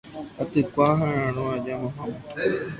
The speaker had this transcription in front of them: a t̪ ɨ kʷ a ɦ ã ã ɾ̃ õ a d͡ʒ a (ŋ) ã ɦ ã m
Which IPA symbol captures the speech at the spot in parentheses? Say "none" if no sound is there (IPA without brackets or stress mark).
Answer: m